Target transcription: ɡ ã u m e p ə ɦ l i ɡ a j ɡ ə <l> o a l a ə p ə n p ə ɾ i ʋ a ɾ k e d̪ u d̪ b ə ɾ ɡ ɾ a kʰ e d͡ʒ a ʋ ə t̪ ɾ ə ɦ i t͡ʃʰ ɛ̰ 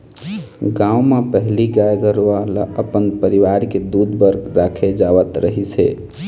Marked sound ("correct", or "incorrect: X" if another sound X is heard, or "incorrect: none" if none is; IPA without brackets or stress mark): incorrect: ɾ